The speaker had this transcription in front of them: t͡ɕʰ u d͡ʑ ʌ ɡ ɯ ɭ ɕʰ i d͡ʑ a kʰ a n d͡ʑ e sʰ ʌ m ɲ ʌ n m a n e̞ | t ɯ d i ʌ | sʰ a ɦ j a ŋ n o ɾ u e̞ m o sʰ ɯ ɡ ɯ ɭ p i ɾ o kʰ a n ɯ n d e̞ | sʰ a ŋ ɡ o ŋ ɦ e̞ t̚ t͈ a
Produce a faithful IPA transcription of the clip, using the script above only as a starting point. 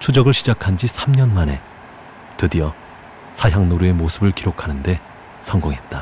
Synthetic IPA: t͡ɕʰ u d͡ʑ ʌ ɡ ɯ ɭ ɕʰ i d͡ʑ a kʰ a n d͡ʑ i sʰ a m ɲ ʌ n m a n e̞ | t ɯ d i ʌ | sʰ a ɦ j a ŋ n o ɾ u e̞ m o sʰ ɯ b ɯ ɭ k i ɾ o kʰ a n ɯ n d e̞ | sʰ ʌ ŋ ɡ o ŋ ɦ e̞ t̚ t͈ a

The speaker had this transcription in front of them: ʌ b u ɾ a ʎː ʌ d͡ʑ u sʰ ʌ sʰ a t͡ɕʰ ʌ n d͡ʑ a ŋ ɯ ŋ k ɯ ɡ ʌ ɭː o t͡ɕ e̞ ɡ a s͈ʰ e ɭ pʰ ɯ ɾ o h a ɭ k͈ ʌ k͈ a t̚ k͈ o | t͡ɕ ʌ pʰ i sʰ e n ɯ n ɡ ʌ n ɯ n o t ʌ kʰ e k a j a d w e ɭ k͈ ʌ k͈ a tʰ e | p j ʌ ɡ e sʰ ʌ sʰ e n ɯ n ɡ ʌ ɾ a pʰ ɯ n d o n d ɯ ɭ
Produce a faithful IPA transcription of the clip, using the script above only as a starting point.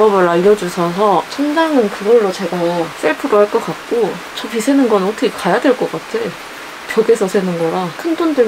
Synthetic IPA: ʌ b ɯ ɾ a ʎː ʌ d͡ʑ u sʰ ʌ sʰ ʌ t͡ɕʰ ʌ n d͡ʑ a ŋ ɯ n k ɯ ɡ ʌ ɭː o t͡ɕ e̞ ɡ a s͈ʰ e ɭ pʰ ɯ ɾ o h a ɭ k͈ ʌ k͈ a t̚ k͈ o | t͡ɕ ʌ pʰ i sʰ e n ɯ n ɡ ʌ n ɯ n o tʰ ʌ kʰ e k a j a d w e ɭ k͈ ʌ k͈ a tʰ e | p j ʌ ɡ e sʰ ʌ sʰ e n ɯ n ɡ ʌ ɾ a kʰ ɯ n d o n d ɯ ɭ

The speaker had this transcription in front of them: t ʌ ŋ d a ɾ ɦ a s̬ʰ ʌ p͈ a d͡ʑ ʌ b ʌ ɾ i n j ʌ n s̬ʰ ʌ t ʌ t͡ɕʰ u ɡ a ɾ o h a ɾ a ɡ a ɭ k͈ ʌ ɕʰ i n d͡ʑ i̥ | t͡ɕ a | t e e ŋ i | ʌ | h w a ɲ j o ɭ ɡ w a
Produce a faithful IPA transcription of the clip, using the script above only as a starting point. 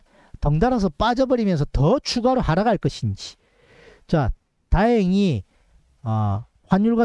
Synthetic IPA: t ʌ ŋ d a ɾ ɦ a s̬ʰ ʌ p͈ a d͡ʑ ʌ b ʌ ɾ i m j ʌ n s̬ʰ ʌ t ʌ t͡ɕʰ u ɡ a ɾ o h a ɾ a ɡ a ɭ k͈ ʌ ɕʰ i n d͡ʑ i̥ | t͡ɕ a | t a e ŋ i | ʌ | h w a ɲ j u ɭ ɡ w a

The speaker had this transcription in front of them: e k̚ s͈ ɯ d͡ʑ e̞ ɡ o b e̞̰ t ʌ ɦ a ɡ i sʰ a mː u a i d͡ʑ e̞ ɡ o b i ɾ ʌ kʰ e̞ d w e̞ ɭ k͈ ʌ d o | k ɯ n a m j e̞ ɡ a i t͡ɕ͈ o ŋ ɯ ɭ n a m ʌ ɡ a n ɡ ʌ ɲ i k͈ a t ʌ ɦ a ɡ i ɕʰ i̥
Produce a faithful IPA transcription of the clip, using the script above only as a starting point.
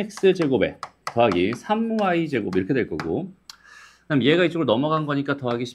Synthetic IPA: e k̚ s͈ ɯ d͡ʑ e̞ ɡ o b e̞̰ t ʌ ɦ a ɡ i sʰ a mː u a i d͡ʑ e̞ ɡ o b i ɾ ʌ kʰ e̞ d w e̞ ɭ k͈ ʌ ɡ o | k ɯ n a m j e̞ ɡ a i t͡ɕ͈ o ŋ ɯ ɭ n ʌ m ʌ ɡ a n ɡ ʌ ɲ i k͈ a t ʌ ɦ a ɡ i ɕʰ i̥

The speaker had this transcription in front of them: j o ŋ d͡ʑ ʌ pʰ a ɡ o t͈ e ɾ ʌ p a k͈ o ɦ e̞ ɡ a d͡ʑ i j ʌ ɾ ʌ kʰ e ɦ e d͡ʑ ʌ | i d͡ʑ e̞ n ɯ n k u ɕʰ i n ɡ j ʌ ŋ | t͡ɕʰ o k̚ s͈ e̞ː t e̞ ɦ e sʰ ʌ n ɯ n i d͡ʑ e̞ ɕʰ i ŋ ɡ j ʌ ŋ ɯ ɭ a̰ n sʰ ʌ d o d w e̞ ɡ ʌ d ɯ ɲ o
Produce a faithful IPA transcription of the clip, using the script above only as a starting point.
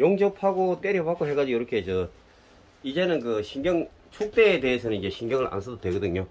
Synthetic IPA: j o ŋ d͡ʑ ʌ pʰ a ɡ o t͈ e ɾ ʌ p a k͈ o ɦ e̞ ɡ a d͡ʑ i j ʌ ɾ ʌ kʰ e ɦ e d͡ʑ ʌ | i d͡ʑ e̞ n ɯ n k ɯ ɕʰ i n ɡ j ʌ ŋ | t͡ɕʰ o k̚ t͈ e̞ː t e̞ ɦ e sʰ ʌ n ɯ n i d͡ʑ e̞ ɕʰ i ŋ ɡ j ʌ ŋ ɯ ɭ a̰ n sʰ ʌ d o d w e̞ ɡ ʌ d ɯ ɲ o

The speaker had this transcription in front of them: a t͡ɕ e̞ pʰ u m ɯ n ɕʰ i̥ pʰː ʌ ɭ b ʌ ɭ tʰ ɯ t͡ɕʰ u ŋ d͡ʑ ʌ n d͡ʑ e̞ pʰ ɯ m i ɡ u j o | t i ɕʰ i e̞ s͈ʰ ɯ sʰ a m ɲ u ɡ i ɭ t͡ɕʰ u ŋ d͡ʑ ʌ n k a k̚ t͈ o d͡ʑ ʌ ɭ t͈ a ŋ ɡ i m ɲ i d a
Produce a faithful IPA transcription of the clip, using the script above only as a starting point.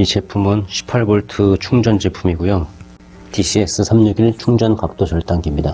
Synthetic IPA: i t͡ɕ e̞ pʰ u m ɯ n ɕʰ i̥ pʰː a ɭ b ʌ ɭ tʰ ɯ t͡ɕʰ u ŋ d͡ʑ ʌ n d͡ʑ e̞ pʰ u m i ɡ u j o | t i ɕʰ i e̞ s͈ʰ ɯ sʰ a m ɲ u ɡ i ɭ t͡ɕʰ u ŋ d͡ʑ ʌ n k a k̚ t͈ o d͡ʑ ʌ ɭ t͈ a ŋ ɡ i m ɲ i d a

